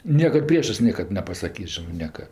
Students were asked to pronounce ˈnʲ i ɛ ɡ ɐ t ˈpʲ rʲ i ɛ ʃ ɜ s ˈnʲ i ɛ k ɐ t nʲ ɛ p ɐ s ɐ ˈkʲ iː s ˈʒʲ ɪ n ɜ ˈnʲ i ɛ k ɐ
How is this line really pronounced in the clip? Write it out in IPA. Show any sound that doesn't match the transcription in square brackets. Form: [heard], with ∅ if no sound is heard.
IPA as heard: ˈnʲ i ɛ [k] ɐ t ˈpʲ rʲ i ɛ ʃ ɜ s ˈnʲ i ɛ k ɐ t nʲ ɛ p ɐ s ɐ ˈkʲ iː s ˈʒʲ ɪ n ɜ ˈnʲ i ɛ k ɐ